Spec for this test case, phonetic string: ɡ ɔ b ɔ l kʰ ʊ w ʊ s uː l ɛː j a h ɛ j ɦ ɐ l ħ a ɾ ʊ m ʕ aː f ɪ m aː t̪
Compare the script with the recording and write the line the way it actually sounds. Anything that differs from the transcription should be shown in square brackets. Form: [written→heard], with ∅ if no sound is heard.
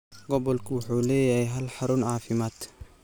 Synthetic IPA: ɡ ɔ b ɔ l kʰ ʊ w ʊ [s→ħ] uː l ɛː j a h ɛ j ɦ ɐ l ħ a ɾ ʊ [m→n] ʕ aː f ɪ m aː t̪